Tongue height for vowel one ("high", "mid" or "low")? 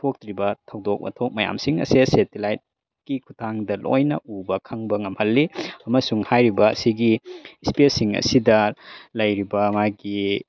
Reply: mid